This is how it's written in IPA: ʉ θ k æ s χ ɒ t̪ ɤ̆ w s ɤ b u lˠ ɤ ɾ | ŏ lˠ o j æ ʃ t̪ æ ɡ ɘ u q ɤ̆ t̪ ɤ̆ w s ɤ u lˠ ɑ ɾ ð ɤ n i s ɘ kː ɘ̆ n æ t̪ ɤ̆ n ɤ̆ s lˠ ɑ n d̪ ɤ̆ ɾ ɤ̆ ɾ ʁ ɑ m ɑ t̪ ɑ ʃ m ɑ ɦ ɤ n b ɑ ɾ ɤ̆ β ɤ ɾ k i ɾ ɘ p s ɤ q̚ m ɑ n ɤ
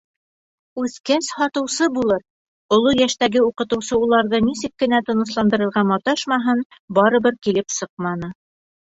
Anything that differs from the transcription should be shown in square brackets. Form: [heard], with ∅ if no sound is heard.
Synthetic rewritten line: ʉ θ k æ s [h] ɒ t̪ ɤ̆ w s ɤ b u lˠ ɤ ɾ | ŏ lˠ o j æ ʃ t̪ æ ɡ ɘ u q ɤ̆ t̪ ɤ̆ w s ɤ u lˠ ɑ ɾ ð ɤ n i s ɘ kː ɘ̆ n æ t̪ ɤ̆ n ɤ̆ s lˠ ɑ n d̪ ɤ̆ ɾ ɤ̆ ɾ ʁ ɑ m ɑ t̪ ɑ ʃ m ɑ ɦ ɤ n b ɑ ɾ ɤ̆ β ɤ ɾ k i [l] ɘ p s ɤ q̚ m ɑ n ɤ